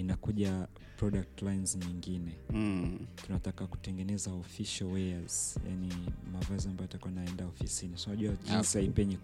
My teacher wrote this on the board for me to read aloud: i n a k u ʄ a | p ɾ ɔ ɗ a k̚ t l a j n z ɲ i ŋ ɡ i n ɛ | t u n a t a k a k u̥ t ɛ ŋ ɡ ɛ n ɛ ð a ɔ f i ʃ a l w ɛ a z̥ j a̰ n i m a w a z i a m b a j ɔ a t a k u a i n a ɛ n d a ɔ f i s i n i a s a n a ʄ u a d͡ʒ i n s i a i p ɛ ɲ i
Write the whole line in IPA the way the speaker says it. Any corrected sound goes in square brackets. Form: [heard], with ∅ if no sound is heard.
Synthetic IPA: i n a k u ʄ a | p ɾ ɔ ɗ a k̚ t l a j n z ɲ i ŋ ɡ i n ɛ | t u n a t a k a k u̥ t ɛ ŋ ɡ ɛ n ɛ [z] a ɔ f i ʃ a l w ɛ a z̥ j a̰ n i m a [v] a z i a m b a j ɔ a t a k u a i n a ɛ n d a ɔ f i s i n i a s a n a ʄ u a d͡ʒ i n s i a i p ɛ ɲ i